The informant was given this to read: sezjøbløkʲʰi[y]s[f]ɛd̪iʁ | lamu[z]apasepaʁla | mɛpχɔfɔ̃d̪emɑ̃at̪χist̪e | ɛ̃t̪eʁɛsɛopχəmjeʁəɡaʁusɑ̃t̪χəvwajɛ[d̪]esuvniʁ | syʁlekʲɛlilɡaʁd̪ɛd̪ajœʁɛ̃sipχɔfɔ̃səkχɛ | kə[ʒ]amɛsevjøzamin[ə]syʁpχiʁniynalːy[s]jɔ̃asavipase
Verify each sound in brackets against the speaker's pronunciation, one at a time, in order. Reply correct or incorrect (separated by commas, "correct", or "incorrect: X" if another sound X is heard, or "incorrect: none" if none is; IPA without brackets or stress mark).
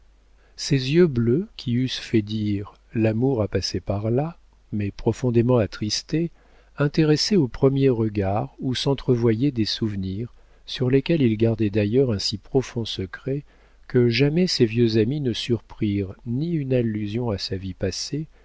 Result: correct, correct, incorrect: ʁ, correct, correct, correct, incorrect: z